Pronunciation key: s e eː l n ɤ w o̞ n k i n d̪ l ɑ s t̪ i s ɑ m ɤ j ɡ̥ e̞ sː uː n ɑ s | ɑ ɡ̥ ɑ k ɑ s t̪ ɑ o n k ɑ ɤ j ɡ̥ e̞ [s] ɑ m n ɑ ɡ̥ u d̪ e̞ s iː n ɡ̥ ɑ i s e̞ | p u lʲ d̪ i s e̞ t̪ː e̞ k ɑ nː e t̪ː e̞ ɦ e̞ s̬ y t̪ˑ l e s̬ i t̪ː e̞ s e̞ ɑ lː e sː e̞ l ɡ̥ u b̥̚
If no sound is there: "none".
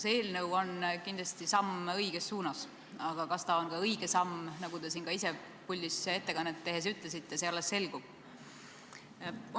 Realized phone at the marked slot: s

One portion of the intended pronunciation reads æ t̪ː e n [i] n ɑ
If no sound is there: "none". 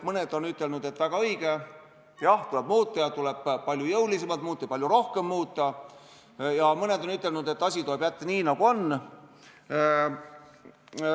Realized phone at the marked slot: iː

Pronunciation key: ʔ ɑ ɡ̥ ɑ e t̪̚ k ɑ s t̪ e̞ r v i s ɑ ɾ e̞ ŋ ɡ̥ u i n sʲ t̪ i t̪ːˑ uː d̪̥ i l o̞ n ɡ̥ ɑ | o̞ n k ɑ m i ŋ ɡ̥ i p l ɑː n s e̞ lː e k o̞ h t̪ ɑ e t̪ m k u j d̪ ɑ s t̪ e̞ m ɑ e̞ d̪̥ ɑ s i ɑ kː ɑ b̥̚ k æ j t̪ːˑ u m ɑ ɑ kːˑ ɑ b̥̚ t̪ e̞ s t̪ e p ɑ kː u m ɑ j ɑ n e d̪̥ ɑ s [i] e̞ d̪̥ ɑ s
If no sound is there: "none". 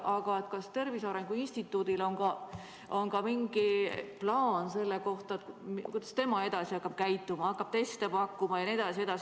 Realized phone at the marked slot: i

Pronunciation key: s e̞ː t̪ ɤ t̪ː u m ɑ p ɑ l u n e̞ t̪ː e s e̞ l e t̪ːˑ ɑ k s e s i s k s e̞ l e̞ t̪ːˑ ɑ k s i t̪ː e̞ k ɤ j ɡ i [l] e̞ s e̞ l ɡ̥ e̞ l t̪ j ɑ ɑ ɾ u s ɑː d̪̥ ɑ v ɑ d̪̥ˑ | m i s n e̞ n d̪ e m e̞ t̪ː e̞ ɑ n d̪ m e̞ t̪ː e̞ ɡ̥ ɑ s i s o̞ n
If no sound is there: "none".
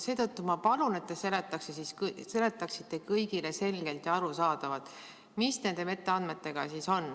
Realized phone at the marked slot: l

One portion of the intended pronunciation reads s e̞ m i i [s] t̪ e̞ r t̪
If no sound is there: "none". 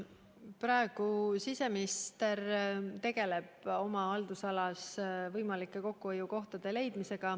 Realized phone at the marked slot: s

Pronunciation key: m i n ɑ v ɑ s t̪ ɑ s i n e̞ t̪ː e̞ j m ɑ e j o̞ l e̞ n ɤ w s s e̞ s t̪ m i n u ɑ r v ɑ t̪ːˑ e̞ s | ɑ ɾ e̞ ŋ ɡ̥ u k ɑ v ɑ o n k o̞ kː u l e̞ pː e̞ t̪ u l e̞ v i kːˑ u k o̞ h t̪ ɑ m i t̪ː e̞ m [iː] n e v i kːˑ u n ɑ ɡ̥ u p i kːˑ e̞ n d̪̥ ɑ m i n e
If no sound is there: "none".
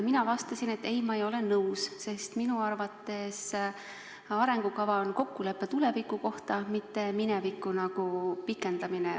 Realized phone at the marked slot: i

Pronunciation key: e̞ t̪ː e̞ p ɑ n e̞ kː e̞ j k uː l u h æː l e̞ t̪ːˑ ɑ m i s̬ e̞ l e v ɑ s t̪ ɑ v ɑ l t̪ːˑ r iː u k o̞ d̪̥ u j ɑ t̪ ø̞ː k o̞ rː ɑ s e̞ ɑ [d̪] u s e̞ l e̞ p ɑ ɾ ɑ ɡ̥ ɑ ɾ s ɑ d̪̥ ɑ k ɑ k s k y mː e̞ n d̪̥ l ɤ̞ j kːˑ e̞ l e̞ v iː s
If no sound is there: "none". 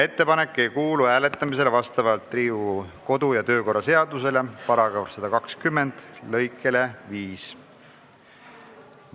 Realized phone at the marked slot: d̪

